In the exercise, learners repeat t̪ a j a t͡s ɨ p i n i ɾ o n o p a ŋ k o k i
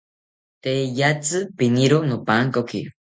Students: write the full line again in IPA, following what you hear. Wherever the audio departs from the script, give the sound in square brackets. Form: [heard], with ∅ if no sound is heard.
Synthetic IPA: t̪ [e] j a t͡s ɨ p i n i ɾ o n o p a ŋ k o k i